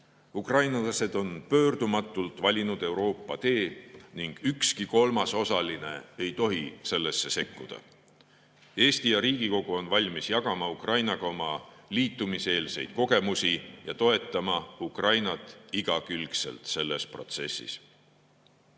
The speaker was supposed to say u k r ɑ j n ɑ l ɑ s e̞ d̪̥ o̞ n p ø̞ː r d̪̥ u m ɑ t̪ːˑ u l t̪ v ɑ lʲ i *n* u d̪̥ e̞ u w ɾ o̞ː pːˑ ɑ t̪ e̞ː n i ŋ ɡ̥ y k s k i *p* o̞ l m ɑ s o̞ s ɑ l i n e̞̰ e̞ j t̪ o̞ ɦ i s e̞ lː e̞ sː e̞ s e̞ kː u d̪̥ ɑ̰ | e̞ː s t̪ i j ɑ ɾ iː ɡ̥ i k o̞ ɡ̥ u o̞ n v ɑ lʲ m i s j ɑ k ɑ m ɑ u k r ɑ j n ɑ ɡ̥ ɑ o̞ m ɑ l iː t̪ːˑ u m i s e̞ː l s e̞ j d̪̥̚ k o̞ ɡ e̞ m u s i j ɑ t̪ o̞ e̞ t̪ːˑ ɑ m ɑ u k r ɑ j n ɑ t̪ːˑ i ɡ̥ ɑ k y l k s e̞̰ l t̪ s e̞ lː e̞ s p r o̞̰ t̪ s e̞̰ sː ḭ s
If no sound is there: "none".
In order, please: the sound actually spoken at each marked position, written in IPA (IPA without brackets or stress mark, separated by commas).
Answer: n, k